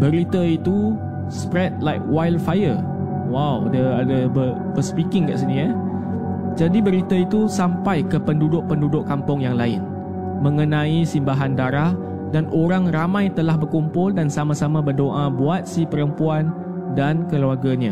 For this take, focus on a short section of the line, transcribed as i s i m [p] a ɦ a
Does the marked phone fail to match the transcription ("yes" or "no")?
yes